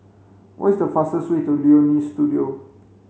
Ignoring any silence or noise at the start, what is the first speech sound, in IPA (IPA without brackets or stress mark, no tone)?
w